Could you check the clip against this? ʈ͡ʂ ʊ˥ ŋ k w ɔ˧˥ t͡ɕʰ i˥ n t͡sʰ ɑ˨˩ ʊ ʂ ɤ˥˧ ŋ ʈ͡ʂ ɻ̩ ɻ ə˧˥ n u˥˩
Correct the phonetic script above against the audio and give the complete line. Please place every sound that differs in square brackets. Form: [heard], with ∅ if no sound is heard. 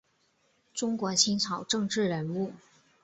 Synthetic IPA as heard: ʈ͡ʂ ʊ˥ ŋ k w ɔ˧˥ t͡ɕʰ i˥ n t͡sʰ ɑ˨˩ ʊ [ʈ͡ʂ] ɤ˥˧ ŋ ʈ͡ʂ ɻ̩ ɻ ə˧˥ n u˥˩